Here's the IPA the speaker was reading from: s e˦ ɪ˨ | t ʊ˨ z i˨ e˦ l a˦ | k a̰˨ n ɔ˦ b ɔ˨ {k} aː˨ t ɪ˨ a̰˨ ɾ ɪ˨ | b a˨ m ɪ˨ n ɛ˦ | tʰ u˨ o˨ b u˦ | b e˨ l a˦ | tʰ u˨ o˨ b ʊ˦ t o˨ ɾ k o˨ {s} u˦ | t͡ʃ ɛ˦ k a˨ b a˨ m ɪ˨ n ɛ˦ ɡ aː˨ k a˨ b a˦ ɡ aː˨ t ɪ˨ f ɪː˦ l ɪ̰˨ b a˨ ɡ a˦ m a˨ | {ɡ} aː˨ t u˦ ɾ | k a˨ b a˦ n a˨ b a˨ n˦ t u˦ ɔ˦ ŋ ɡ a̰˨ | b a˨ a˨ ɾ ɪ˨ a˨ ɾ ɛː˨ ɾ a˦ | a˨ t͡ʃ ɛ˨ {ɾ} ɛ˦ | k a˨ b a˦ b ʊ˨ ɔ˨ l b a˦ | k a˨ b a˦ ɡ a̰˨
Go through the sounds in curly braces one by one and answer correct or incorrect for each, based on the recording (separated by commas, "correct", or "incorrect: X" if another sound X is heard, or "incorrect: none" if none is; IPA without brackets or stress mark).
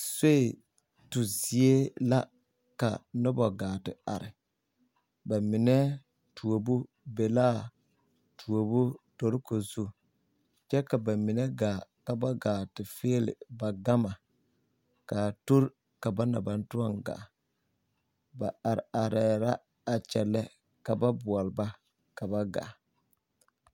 incorrect: ɡ, incorrect: z, incorrect: k, incorrect: l